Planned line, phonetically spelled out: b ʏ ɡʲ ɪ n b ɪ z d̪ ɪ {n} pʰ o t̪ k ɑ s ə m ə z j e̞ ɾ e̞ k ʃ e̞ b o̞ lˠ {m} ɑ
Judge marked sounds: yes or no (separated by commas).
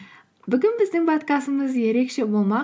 no, yes